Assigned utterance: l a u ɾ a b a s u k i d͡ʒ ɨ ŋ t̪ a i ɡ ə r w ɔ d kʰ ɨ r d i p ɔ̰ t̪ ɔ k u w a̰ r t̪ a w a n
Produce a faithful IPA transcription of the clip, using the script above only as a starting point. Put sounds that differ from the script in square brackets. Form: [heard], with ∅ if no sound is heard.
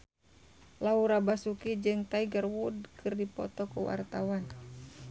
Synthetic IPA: l a u ɾ a b a s u k i d͡ʒ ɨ ŋ t̪ a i ɡ ə r w [u] d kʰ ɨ r d i p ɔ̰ t̪ ɔ k u w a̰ r t̪ a w a n